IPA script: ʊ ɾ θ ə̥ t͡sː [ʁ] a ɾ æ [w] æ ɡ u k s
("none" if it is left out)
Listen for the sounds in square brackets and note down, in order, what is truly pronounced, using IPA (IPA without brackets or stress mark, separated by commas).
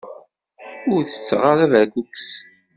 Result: ʁ, v